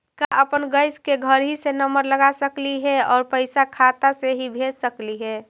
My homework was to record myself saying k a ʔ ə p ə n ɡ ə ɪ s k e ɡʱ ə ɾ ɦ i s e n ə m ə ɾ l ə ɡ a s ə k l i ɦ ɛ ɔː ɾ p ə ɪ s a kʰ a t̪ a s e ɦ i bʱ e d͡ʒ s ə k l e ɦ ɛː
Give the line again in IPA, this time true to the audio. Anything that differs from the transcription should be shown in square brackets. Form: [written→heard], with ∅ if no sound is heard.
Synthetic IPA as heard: k a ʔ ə p ə n ɡ ə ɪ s k e ɡʱ ə ɾ ɦ i s e n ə m ə ɾ l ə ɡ a s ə k l i ɦ ɛ ɔː ɾ p ə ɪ s a kʰ a t̪ a s e ɦ i bʱ e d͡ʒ s ə k l [e→i] ɦ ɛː